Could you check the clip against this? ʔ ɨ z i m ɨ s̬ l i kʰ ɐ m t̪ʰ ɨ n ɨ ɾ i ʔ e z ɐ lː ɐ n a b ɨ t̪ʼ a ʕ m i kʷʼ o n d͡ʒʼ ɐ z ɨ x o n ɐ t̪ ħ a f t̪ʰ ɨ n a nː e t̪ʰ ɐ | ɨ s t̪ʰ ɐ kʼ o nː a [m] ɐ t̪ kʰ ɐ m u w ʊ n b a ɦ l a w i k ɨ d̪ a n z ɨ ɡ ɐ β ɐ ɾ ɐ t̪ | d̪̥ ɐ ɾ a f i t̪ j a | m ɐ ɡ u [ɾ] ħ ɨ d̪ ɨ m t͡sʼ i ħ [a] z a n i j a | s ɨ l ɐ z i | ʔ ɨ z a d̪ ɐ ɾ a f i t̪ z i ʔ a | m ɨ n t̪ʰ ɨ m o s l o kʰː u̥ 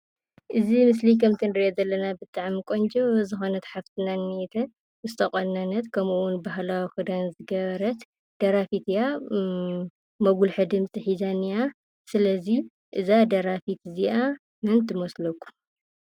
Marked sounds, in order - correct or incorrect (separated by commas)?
incorrect, incorrect, incorrect